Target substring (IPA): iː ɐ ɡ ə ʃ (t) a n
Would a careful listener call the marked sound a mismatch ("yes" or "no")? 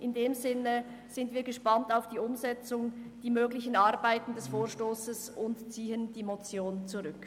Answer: yes